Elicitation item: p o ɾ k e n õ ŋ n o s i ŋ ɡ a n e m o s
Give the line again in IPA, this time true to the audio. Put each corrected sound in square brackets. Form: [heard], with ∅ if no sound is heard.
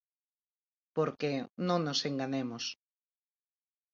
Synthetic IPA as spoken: p o ɾ k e n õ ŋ n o s [e] ŋ ɡ a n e m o s